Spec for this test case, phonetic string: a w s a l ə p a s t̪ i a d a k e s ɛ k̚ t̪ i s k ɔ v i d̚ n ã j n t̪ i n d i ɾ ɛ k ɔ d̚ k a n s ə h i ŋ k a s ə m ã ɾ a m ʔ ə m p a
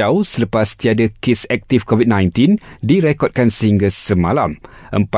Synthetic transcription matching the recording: a w s ə l ə p a s t̪ i a d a k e s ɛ k̚ t̪ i f k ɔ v i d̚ n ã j n t̪ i n d i ɾ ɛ k ɔ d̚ k a n s ə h i ŋ ɡ a s ə m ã l a m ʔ ə m p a